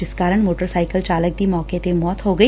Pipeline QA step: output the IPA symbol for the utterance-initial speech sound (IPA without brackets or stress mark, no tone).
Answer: ɪ